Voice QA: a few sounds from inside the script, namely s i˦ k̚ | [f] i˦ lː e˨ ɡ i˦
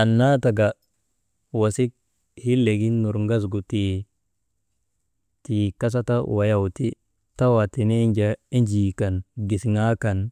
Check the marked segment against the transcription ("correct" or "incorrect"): incorrect